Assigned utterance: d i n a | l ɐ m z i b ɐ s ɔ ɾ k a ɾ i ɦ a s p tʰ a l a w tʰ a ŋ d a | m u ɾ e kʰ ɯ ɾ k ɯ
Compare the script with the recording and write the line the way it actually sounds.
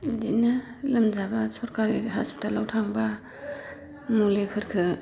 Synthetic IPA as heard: d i n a | l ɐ m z a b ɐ s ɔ ɾ k a ɾ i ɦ a s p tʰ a l a w tʰ a ŋ b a | m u l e kʰ ɯ ɾ kʰ ɯ